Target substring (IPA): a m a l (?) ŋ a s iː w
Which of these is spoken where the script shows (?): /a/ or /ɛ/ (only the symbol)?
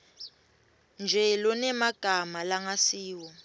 a